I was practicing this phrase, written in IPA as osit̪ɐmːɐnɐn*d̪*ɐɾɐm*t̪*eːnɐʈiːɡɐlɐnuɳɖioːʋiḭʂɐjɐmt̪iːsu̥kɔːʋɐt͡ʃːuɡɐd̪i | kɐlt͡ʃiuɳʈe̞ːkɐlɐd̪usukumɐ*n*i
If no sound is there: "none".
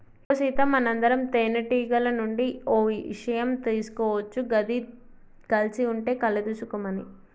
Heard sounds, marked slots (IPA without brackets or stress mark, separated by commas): d̪, t̪, n